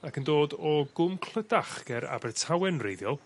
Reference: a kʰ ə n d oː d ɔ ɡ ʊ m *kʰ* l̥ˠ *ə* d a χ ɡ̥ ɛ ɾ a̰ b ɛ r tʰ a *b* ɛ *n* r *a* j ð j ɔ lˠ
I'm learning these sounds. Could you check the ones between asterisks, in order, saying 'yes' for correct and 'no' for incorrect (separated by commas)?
yes, yes, no, yes, no